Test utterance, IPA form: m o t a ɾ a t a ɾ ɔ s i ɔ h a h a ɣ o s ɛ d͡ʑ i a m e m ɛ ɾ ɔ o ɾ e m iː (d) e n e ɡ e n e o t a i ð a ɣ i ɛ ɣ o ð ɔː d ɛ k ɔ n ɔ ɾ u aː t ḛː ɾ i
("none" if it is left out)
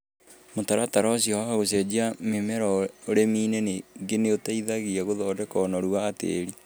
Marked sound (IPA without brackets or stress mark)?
n